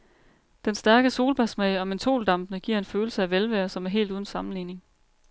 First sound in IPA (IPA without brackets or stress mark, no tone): d̥